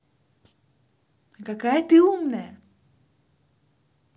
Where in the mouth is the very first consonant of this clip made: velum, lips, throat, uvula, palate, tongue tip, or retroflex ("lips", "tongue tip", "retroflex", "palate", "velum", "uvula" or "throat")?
velum